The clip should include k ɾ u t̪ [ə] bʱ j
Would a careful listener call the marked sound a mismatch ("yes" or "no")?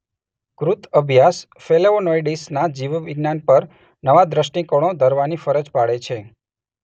no